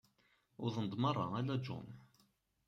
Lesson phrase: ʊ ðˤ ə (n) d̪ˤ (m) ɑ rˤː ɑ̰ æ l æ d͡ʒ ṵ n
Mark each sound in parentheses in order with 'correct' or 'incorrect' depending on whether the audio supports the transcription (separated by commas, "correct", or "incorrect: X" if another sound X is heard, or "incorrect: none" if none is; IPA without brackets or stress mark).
correct, correct